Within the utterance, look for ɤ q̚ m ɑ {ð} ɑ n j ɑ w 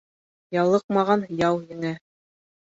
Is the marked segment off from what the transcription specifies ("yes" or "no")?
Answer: yes